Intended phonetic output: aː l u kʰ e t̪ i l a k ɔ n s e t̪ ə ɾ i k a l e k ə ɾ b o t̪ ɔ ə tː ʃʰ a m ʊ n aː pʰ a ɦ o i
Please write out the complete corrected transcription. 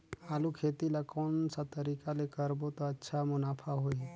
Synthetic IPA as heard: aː l u kʰ e t̪ i l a k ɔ n s a t̪ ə ɾ i k a l e k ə ɾ b o t̪ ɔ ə tː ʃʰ a m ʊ n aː pʰ a ɦ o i